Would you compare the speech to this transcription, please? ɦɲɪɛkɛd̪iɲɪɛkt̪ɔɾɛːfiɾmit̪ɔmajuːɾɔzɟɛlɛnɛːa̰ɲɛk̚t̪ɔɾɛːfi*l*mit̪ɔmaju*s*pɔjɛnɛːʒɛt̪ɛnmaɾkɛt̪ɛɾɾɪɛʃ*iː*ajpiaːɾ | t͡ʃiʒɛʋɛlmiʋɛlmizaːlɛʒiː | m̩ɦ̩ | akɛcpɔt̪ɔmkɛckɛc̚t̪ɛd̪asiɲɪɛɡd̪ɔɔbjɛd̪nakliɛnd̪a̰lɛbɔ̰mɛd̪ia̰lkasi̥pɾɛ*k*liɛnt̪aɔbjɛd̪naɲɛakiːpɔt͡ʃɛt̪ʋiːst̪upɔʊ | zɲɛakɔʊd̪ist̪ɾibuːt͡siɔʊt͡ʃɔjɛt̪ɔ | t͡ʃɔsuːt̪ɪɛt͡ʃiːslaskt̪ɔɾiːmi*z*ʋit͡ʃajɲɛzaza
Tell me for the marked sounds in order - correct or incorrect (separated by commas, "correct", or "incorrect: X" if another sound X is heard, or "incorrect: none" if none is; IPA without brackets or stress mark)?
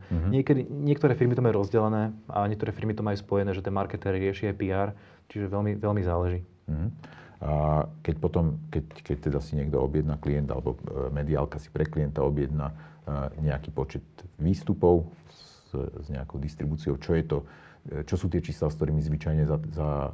incorrect: ɾ, correct, incorrect: i, correct, correct